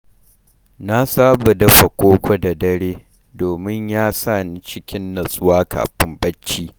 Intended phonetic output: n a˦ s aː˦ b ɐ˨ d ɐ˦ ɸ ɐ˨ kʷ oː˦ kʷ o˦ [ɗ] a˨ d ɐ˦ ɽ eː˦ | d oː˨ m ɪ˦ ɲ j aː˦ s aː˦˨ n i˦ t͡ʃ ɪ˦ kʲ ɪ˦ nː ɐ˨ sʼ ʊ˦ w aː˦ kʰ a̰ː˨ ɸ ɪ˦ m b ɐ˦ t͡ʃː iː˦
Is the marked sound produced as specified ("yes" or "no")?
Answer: no